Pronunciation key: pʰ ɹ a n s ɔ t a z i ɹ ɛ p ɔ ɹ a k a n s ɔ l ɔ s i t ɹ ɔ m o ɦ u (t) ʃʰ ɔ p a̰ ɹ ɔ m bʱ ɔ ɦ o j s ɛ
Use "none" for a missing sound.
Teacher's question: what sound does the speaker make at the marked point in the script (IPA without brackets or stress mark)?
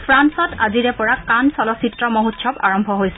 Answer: t